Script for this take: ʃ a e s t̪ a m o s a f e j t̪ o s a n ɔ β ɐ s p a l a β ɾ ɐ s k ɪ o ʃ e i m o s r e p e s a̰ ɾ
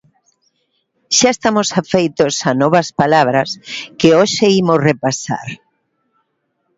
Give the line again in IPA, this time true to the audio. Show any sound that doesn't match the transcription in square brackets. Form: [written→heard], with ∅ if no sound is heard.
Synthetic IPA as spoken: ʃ a e s t̪ a m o s a f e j t̪ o s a n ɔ β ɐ s p a l a β ɾ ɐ s k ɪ o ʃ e i m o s r e p [e→a] s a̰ ɾ